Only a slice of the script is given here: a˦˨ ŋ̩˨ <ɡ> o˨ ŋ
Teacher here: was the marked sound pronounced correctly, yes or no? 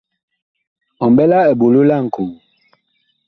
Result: no